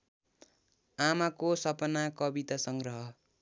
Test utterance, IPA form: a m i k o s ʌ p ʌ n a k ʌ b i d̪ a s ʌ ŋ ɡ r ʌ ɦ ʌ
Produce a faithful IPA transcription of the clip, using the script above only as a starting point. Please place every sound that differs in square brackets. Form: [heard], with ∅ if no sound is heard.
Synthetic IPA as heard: a m [a] k o s ʌ p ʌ n a k ʌ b i [t̪] a s ʌ ŋ ɡ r ʌ ɦ ʌ